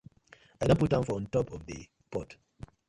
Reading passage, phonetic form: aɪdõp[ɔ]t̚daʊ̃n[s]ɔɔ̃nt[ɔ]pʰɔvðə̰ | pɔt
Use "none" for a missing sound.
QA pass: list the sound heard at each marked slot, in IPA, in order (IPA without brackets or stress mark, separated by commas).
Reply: u, f, ɔ